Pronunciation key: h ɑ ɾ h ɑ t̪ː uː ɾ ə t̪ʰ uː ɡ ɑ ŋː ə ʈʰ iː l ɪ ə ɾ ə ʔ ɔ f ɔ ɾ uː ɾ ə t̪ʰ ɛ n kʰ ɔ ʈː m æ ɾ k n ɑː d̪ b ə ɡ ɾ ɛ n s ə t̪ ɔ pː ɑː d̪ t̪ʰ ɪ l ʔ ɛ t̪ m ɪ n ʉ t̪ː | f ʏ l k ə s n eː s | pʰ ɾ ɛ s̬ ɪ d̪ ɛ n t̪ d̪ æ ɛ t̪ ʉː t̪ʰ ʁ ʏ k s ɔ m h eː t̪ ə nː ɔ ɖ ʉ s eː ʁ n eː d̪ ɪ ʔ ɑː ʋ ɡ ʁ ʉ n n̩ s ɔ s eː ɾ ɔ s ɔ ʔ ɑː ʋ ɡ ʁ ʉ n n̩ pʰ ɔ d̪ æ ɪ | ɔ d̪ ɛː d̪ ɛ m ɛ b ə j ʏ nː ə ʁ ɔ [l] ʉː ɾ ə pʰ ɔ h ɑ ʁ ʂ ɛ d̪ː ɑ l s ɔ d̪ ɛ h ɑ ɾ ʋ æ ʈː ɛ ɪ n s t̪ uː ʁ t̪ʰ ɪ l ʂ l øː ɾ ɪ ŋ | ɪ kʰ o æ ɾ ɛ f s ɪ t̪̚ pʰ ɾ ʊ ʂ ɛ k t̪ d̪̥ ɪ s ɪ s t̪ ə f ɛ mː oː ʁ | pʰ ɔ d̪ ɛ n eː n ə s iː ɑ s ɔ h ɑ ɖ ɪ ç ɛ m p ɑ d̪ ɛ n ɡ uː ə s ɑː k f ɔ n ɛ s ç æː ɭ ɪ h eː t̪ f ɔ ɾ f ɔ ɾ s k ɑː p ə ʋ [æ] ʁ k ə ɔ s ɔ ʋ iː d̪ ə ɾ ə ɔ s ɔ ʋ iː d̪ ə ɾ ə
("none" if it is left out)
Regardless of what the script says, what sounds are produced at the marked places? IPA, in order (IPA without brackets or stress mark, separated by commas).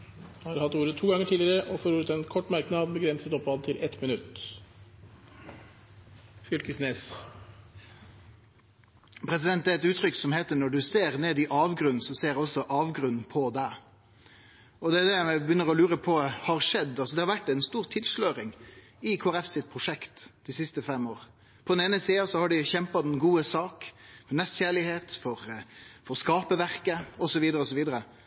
l, æ